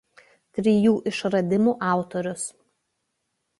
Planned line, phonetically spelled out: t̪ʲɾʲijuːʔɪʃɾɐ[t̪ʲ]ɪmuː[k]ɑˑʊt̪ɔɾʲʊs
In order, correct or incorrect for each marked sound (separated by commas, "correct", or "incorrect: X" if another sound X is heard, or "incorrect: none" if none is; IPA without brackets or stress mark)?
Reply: incorrect: d̪ʲ, incorrect: ʔ